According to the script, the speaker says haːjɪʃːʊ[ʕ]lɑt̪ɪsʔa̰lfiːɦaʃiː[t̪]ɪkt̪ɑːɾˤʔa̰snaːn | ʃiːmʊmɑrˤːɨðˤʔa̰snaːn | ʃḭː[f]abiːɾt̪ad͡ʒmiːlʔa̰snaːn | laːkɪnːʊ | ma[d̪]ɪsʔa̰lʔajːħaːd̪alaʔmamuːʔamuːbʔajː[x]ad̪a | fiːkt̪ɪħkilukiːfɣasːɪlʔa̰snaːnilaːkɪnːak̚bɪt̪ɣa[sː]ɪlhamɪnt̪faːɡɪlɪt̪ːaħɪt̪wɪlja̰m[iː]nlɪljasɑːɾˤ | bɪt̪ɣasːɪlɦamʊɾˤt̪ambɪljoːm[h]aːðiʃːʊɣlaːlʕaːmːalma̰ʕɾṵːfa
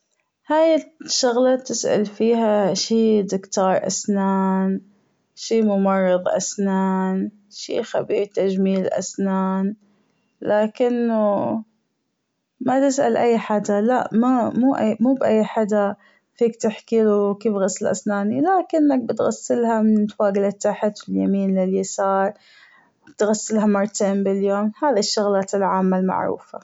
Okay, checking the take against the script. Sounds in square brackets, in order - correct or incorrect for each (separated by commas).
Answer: incorrect, incorrect, incorrect, incorrect, incorrect, correct, correct, correct